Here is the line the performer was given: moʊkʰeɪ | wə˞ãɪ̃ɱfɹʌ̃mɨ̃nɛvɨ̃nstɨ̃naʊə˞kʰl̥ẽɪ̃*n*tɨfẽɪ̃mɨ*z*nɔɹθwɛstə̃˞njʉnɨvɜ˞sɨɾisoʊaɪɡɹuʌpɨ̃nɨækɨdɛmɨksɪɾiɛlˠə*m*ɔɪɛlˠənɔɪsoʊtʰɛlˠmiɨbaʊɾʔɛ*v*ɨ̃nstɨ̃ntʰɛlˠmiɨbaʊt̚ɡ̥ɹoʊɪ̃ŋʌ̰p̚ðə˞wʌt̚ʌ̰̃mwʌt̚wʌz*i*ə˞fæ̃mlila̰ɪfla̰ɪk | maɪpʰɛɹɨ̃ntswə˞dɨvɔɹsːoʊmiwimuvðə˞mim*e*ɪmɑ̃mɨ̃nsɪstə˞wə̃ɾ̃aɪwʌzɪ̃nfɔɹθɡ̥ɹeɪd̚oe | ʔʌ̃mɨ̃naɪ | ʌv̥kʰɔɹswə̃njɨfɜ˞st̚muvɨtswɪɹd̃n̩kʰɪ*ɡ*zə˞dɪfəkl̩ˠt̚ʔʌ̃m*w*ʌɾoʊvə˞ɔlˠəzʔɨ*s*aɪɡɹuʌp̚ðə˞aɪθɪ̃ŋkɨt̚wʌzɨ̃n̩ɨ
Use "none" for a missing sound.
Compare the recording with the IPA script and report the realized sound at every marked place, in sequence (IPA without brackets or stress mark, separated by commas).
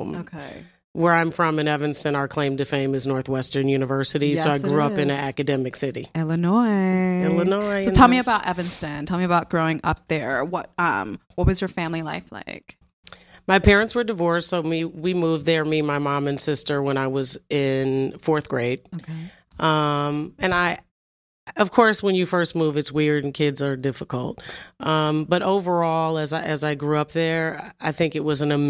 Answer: m, z, n, v, j, a, d, b, z